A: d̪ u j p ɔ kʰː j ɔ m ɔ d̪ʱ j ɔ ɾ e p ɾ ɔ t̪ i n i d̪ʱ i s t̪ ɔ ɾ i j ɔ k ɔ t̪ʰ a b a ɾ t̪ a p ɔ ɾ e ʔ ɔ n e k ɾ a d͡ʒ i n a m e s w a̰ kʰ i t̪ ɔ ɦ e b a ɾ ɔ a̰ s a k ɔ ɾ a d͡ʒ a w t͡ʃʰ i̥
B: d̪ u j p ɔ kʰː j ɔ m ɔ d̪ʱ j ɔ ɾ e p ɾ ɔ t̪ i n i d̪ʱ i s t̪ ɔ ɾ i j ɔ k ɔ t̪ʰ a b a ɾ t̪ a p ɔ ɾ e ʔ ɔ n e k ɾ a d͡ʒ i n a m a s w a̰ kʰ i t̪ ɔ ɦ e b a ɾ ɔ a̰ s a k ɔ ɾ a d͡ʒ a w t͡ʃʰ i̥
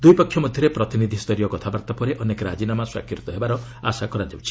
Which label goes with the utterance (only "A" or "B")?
B